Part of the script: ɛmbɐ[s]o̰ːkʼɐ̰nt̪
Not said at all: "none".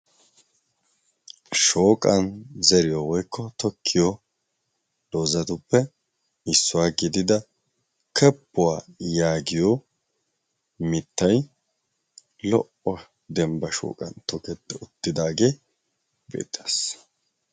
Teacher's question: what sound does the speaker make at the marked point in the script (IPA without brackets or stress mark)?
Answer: ʃ